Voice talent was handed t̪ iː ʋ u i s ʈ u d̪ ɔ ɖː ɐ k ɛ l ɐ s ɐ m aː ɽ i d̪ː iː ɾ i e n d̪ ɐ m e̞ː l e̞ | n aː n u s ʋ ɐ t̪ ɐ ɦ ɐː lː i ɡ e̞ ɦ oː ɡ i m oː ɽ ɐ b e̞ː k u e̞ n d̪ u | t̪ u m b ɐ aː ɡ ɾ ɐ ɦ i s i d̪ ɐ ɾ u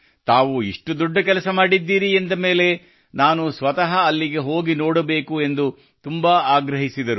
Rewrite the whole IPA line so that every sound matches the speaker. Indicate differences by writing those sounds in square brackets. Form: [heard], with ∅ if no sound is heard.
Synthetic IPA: t̪ [aː] ʋ u i [ʂ] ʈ u d̪ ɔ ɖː ɐ k ɛ l ɐ s ɐ m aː ɽ i d̪ː iː ɾ i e n d̪ ɐ m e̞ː l e̞ | n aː n u s ʋ ɐ t̪ ɐ ɦ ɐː lː i ɡ e̞ ɦ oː ɡ i [n] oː ɽ ɐ b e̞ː k u e̞ n d̪ u | t̪ u m b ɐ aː ɡ ɾ ɐ ɦ i s i d̪ ɐ ɾ u